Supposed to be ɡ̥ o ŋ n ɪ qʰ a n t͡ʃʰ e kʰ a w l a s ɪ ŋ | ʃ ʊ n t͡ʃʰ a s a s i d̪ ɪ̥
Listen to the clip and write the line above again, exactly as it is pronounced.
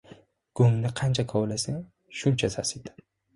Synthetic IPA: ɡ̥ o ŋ n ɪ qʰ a n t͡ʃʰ a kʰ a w l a s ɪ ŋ | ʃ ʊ n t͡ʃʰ a s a s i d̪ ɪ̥